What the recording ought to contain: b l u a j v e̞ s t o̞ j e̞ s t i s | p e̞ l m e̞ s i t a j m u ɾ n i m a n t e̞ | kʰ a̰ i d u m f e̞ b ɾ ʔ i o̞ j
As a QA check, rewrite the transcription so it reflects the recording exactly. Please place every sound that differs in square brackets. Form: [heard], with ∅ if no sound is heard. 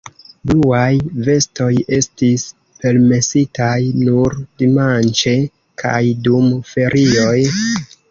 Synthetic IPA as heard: b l u a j v e̞ s t o̞ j e̞ s t i s | p e̞ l m e̞ s i t a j [n] u ɾ [d] i m a n [t͡ʃ] e̞ | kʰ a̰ [j] d u m f e̞ [∅] ɾ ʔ i o̞ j